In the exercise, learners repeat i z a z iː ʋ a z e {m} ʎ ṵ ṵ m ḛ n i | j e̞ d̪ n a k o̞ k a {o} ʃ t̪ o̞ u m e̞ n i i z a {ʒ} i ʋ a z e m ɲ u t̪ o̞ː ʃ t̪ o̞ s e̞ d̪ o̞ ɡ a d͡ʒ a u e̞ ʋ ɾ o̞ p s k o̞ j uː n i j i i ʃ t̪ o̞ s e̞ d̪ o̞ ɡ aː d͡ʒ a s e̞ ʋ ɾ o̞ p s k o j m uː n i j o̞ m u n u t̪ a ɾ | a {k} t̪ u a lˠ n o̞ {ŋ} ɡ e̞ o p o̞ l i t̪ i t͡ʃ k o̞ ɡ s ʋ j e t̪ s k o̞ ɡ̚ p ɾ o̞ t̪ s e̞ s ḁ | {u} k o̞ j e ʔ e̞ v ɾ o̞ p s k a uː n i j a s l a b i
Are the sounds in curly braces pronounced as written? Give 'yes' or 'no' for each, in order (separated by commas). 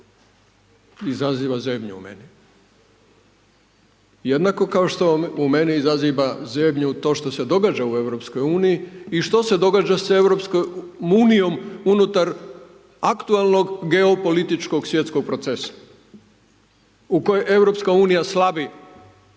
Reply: yes, yes, no, yes, no, yes